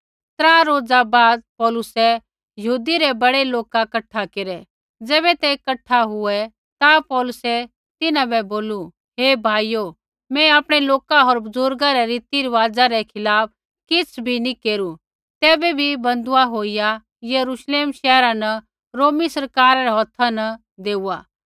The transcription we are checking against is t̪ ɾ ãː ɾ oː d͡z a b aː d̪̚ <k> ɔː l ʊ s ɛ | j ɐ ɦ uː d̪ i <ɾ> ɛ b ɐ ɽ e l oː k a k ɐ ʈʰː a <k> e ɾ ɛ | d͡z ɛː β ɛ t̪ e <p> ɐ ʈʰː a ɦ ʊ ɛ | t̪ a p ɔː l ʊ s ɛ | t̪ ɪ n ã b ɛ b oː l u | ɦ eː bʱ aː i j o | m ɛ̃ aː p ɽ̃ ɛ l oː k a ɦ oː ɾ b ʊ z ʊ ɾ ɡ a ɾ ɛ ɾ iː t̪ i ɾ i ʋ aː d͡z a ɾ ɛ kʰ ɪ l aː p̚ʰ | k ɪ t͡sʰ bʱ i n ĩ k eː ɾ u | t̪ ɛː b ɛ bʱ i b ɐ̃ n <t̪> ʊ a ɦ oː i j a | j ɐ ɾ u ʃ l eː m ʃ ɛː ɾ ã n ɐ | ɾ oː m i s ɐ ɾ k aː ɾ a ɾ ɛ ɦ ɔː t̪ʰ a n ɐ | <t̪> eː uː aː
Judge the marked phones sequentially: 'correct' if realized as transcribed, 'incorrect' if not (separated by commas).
incorrect, correct, correct, incorrect, incorrect, incorrect